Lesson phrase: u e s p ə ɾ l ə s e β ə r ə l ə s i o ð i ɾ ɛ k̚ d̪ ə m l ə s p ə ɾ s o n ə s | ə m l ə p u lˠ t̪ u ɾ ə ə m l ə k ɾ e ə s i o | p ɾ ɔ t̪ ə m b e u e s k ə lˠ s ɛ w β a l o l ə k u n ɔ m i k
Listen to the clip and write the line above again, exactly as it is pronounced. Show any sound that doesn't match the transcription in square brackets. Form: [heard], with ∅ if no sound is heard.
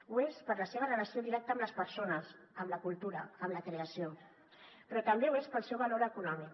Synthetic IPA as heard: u e s p ə ɾ l ə s e β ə r ə l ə s i o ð i ɾ ɛ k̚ [t̪] ə m l ə s p ə ɾ s o n ə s | ə m l ə [k] u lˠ t̪ u ɾ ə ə m l ə k ɾ e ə s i o | p ɾ ɔ t̪ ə m b e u e s [p] ə lˠ s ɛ w β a l o [ɾ] ə k u n ɔ m i k